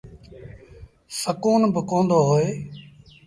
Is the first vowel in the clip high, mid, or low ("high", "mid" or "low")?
mid